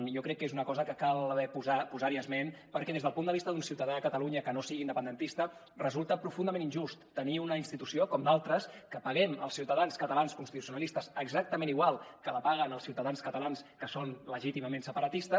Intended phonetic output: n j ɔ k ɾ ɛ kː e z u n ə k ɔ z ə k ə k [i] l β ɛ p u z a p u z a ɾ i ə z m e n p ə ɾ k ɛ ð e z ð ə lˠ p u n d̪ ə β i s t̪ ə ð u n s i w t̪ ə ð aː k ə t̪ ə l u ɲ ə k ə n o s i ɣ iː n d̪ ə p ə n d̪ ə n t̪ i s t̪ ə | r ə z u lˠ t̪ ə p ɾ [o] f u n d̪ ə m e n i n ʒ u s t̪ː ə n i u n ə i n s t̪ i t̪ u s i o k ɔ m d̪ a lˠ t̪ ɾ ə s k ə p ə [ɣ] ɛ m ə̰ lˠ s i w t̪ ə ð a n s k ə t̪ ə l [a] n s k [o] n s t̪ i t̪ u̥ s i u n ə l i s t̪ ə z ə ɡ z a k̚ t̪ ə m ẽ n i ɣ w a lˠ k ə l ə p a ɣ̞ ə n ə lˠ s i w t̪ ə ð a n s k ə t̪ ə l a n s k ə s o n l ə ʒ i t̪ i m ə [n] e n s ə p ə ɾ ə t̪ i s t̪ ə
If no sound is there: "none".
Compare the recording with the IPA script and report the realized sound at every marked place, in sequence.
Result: a, u, ɣ, a, u, m

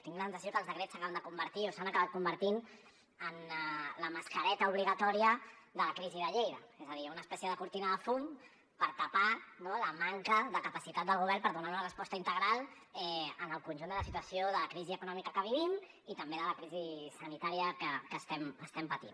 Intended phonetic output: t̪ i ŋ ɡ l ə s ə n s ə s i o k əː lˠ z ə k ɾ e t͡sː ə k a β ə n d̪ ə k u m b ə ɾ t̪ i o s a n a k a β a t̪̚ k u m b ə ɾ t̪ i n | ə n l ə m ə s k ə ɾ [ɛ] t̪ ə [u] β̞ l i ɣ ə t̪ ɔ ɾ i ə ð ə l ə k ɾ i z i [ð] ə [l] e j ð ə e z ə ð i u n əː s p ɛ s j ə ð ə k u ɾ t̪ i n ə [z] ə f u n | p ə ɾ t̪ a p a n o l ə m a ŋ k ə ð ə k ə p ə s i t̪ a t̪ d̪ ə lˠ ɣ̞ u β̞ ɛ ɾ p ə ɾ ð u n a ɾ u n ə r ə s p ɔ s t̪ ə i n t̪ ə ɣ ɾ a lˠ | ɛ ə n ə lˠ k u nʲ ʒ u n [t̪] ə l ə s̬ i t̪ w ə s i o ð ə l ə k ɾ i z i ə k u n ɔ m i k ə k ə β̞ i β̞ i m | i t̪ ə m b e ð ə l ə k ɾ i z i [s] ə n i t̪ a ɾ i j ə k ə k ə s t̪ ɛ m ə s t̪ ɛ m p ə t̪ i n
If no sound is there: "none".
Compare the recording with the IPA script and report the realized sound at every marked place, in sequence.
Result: ɛ, u, ð, ʎ, ð, d̪, s

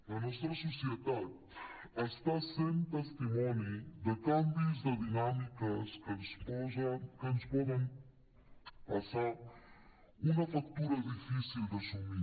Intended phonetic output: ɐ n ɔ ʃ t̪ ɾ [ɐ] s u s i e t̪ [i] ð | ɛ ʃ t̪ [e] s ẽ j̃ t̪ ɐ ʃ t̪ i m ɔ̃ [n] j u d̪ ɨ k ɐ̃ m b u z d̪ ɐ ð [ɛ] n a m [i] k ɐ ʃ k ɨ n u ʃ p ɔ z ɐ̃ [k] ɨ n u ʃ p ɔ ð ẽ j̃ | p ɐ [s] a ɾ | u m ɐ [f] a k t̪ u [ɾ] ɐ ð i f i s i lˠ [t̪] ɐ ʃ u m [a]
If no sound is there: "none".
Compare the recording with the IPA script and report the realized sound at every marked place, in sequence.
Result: ɐ, a, a, n, i, i, k, s, f, ɾ, d̪, i

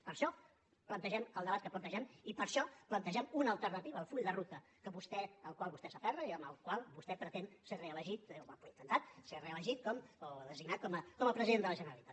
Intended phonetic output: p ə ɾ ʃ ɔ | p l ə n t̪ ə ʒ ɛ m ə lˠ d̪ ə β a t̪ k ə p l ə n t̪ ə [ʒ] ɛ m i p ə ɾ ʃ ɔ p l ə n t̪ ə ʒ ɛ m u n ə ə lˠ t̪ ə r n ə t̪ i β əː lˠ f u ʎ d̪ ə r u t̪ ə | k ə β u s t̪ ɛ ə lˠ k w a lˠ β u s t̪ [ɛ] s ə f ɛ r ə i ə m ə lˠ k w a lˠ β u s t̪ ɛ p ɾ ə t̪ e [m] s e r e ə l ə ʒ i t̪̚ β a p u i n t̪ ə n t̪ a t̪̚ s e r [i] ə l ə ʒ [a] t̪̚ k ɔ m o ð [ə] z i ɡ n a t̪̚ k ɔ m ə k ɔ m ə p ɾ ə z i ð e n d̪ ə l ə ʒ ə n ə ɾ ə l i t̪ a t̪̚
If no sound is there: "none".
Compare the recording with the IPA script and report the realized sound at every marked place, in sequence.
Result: ʒ, ɛ, n, e, i, ə

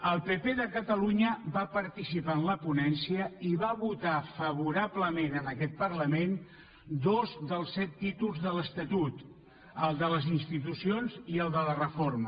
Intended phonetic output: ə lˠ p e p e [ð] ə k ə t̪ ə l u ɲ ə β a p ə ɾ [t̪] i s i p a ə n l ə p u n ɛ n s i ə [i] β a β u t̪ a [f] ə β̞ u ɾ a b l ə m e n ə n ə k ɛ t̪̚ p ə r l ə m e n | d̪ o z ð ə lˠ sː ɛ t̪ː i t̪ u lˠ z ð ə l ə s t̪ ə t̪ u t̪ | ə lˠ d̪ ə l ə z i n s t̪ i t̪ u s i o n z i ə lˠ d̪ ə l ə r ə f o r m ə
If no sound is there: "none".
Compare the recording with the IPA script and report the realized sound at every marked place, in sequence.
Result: ð, t̪, i, f

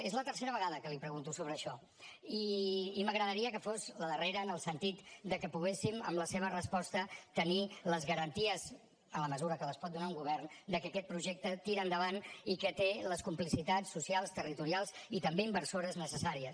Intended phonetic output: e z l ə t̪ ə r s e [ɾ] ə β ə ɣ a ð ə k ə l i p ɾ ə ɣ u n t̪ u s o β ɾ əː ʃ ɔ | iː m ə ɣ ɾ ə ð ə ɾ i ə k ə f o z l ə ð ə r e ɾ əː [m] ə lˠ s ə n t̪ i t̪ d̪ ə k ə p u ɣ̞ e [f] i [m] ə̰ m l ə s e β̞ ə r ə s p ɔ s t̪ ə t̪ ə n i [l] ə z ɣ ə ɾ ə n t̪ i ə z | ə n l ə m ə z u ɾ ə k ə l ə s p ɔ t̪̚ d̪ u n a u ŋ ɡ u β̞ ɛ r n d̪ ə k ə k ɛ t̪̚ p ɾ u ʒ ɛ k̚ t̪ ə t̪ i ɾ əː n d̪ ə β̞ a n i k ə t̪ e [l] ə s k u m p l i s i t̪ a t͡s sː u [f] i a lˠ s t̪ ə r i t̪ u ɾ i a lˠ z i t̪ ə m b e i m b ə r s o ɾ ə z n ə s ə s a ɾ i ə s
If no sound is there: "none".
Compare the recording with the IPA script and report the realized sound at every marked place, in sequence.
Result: ɾ, n, s, m, l, l, s

